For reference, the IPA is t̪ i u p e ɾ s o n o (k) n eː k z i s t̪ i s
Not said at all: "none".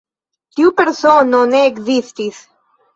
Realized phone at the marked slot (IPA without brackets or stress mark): none